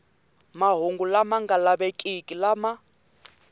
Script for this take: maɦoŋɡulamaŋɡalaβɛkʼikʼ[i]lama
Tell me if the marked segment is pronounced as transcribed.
yes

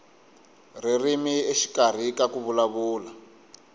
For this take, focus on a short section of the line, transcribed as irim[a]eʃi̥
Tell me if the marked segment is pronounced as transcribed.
no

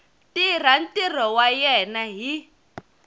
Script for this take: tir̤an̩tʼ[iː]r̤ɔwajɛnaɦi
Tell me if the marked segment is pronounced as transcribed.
no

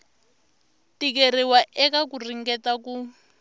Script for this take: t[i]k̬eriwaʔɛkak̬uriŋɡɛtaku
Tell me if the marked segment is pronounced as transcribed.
yes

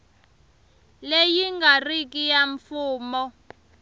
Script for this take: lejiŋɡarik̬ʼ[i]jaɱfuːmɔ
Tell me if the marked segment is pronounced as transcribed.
yes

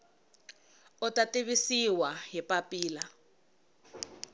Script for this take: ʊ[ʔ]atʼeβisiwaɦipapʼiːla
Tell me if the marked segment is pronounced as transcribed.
no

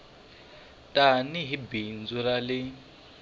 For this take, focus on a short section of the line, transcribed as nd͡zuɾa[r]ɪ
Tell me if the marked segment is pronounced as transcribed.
no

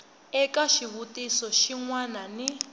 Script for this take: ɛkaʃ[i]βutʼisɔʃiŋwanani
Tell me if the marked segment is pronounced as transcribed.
yes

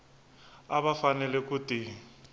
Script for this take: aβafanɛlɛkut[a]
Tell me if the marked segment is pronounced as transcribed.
no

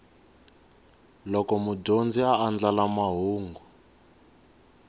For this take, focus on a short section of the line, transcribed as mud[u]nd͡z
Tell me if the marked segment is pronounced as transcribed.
no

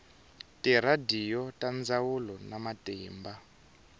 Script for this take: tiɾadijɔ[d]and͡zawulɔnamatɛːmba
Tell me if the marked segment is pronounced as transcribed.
no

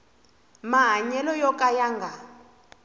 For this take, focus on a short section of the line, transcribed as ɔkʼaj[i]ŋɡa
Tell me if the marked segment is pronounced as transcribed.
no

